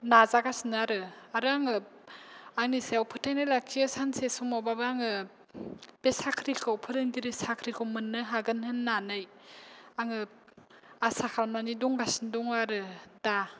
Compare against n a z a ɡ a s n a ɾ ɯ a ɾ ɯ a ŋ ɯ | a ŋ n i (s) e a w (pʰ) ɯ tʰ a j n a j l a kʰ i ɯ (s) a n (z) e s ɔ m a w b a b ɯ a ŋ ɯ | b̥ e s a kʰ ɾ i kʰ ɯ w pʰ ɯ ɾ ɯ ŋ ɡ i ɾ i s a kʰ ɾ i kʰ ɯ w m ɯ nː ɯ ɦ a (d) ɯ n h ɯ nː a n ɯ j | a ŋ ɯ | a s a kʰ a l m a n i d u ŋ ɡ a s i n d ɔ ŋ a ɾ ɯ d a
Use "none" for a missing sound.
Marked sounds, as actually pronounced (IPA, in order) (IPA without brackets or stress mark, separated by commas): s, pʰ, s, s, ɡ